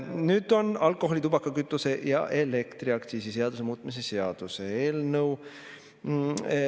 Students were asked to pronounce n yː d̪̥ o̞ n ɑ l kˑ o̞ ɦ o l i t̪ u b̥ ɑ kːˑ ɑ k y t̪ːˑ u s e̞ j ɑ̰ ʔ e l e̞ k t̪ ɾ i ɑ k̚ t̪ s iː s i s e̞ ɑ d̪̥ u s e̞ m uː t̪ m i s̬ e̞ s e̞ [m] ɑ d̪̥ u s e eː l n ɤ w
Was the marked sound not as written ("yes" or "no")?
yes